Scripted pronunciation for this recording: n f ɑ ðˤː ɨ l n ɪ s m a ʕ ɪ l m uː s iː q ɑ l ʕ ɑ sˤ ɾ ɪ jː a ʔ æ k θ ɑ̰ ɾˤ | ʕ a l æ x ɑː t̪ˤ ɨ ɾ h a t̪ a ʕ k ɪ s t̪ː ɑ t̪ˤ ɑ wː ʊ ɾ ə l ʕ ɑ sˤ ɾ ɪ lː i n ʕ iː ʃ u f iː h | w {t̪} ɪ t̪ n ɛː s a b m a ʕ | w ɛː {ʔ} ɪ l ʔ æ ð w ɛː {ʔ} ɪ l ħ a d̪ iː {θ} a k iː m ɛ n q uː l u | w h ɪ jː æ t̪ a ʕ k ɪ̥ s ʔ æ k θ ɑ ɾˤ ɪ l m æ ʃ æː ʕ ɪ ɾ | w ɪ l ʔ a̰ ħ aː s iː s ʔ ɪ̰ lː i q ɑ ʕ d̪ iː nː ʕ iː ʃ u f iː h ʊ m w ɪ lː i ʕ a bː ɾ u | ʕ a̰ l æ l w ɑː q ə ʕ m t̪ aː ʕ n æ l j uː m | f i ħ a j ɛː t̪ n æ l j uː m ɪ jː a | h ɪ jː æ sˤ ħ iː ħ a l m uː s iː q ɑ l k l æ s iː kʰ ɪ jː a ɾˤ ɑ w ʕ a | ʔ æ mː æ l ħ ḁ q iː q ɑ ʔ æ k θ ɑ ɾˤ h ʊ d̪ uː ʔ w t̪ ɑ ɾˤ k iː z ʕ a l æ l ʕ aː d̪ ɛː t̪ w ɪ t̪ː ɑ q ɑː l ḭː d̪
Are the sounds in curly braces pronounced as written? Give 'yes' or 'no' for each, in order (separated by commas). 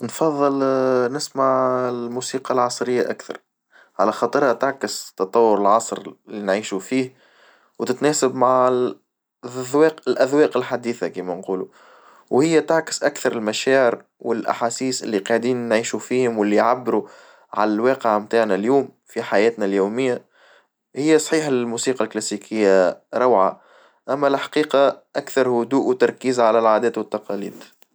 yes, no, no, yes